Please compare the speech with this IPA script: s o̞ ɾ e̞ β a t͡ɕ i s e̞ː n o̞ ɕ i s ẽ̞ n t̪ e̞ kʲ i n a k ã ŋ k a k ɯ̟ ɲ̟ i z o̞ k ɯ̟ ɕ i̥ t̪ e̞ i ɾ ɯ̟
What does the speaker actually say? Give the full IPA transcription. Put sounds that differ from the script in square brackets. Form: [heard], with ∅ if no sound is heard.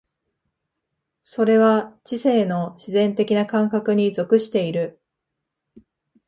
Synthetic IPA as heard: s o̞ ɾ e̞ β a t͡ɕ i s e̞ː n o̞ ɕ i [z] ẽ̞ n t̪ e̞ kʲ i n a k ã ŋ k a k ɯ̟ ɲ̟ i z o̞ k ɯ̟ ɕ i̥ t̪ e̞ i ɾ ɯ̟